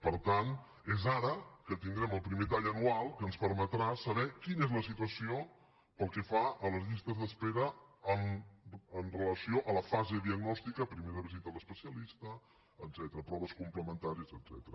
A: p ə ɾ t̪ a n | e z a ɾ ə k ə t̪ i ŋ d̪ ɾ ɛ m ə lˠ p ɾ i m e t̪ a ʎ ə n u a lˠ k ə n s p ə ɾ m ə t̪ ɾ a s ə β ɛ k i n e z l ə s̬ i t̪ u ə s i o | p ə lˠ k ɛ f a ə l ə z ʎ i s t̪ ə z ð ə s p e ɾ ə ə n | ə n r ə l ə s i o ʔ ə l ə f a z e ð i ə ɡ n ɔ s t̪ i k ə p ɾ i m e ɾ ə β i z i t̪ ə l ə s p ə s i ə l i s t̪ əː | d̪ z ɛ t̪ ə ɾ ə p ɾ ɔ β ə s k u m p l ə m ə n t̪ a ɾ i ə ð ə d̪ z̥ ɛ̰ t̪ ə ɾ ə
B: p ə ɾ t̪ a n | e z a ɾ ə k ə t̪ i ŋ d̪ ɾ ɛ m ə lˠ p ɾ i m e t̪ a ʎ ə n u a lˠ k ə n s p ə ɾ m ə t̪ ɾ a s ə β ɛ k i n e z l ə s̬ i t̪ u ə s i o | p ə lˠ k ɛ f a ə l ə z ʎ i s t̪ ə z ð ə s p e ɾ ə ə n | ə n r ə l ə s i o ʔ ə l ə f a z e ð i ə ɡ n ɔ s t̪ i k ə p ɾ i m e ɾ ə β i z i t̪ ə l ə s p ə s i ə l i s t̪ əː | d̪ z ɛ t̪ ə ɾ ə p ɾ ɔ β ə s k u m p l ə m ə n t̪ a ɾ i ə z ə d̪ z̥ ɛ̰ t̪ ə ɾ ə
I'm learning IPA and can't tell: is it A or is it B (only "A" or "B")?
B